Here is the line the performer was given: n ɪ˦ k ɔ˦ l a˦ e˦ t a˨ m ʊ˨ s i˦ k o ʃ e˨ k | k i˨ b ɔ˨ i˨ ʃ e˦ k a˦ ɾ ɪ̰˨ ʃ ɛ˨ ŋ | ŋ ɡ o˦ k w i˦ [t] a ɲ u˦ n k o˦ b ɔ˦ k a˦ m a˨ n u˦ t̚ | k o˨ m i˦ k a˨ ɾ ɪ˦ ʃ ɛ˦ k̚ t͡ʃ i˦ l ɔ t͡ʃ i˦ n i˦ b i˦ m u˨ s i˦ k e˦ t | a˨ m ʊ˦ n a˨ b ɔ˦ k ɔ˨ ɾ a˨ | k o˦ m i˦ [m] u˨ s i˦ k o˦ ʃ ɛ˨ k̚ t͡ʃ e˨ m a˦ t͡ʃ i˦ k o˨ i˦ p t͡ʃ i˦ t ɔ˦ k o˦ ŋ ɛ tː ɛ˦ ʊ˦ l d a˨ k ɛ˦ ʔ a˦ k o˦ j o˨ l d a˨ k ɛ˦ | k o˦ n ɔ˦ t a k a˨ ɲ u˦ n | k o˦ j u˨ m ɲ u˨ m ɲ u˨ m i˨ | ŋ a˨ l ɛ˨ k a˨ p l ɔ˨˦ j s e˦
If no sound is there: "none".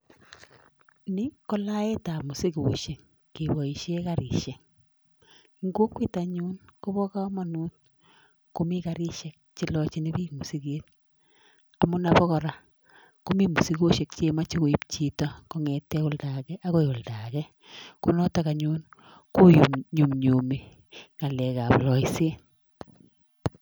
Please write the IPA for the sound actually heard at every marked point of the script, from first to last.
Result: t, m

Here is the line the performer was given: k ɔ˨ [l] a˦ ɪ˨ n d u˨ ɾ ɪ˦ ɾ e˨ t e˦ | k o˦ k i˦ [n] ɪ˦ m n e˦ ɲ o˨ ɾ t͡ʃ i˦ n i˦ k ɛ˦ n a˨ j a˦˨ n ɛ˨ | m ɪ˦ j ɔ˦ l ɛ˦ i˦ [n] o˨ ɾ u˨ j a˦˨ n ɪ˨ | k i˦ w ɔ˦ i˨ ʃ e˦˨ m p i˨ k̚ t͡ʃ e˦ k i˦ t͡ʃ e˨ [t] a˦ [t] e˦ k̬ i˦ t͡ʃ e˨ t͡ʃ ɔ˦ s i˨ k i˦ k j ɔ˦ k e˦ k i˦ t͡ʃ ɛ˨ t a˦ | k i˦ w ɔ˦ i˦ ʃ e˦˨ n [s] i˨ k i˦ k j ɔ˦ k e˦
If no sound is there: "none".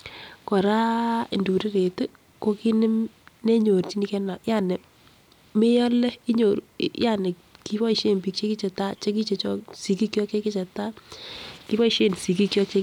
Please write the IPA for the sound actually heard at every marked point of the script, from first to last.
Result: ɾ, n, ɲ, t, t͡ʃ, s

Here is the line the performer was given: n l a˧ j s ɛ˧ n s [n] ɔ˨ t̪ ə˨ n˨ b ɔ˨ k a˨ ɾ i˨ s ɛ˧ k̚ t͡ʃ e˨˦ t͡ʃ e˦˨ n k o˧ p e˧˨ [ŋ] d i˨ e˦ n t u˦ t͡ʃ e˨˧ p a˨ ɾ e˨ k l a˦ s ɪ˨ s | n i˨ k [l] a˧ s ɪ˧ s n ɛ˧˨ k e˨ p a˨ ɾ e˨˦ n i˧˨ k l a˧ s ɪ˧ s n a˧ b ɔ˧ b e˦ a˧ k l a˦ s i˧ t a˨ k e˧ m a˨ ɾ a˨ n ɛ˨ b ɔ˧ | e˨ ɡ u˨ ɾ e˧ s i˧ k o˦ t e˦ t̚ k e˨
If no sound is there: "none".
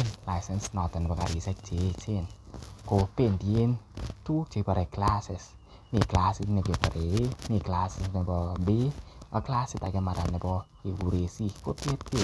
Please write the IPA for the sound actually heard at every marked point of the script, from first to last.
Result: n, n, l

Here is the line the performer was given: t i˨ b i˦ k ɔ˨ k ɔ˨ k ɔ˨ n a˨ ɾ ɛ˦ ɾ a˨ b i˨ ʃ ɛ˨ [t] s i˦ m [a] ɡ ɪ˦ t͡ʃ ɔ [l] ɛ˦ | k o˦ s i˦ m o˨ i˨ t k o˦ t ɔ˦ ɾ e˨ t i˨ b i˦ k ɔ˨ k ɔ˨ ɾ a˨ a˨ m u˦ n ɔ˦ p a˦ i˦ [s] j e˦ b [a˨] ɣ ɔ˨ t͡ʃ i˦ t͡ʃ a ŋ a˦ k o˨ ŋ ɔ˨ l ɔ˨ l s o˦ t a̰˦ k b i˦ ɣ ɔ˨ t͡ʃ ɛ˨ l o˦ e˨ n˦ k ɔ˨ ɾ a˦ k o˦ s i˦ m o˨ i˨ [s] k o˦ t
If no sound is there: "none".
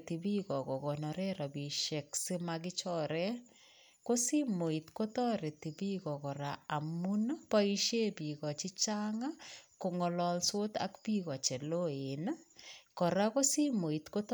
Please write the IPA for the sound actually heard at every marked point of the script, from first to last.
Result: k, a, ɾ, ʃ, i˨, t

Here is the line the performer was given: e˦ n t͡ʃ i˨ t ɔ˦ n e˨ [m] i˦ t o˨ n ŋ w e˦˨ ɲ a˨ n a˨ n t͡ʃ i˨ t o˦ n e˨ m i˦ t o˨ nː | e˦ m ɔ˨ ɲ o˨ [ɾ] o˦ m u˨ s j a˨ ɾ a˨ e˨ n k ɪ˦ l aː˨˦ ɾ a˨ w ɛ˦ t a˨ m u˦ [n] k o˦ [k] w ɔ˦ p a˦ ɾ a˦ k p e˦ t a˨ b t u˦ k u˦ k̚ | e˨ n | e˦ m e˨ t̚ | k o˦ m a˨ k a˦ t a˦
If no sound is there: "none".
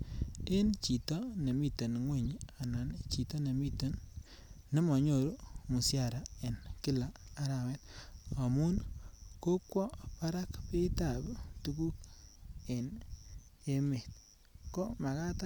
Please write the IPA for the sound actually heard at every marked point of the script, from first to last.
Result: m, ɾ, n, k

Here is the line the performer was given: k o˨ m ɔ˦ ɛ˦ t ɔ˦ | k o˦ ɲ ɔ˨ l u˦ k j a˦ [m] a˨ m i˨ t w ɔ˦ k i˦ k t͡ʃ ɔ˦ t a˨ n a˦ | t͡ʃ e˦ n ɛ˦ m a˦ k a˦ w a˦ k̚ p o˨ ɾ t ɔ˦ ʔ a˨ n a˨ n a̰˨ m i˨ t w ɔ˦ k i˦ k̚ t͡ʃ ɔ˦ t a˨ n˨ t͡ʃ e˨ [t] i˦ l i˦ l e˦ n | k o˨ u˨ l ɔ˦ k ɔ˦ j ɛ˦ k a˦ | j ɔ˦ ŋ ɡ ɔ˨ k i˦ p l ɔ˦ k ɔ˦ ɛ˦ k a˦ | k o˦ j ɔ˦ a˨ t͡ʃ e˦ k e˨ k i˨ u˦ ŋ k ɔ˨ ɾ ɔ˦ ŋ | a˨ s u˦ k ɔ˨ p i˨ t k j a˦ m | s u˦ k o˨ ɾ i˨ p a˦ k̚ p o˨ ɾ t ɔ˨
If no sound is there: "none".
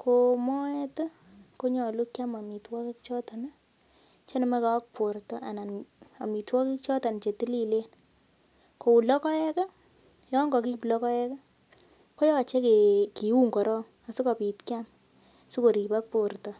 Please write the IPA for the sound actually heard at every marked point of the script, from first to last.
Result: m, t

